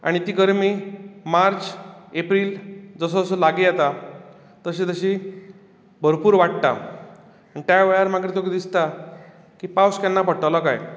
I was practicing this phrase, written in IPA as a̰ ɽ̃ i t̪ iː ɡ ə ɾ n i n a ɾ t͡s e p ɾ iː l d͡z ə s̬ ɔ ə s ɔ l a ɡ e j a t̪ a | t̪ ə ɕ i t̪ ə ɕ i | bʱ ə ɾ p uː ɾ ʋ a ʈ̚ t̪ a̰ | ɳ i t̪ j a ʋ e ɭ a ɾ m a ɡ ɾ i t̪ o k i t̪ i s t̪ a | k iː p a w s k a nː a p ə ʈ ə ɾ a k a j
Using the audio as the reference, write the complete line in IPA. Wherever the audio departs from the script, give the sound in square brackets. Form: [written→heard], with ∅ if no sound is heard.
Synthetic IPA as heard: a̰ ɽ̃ i t̪ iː ɡ ə ɾ [n→m] i [n→m] a ɾ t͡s e p ɾ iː l d͡z ə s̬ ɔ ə s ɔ l a ɡ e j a t̪ a | t̪ ə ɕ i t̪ ə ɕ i | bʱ ə ɾ p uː ɾ ʋ a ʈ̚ t̪ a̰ | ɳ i t̪ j a ʋ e ɭ a ɾ m a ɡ ɾ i t̪ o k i [t̪→d̪] i s t̪ a | k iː p a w s k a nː a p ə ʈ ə [ɾ→l] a k a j